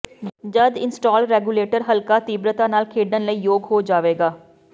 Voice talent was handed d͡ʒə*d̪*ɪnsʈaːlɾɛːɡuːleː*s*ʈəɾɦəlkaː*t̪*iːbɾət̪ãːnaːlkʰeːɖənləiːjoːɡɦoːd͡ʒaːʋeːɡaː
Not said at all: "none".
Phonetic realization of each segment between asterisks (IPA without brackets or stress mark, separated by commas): d̪, none, t̪